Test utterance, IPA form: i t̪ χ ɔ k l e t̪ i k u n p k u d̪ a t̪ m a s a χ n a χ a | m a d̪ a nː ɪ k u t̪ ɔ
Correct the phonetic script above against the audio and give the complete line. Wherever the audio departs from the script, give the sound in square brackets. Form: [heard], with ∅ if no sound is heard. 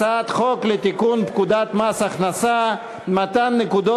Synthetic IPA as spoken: [a] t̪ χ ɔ k l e t̪ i k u n p k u d̪ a t̪ m a s a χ n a [s] a | m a [t̪] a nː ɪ k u [d̪] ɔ